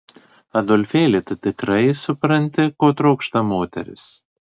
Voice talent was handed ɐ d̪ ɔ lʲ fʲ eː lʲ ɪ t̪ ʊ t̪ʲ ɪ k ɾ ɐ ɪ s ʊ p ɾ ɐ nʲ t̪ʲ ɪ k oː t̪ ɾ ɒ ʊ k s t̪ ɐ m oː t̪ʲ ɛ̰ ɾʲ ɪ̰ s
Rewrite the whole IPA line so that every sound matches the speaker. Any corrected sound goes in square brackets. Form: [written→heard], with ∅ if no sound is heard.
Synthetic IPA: ɐ d̪ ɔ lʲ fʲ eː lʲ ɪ t̪ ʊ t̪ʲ ɪ k ɾ ɐ ɪ s ʊ p ɾ ɐ nʲ t̪ʲ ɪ k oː t̪ ɾ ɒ ʊ k [s→ʃ] t̪ ɐ m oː t̪ʲ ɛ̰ ɾʲ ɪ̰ s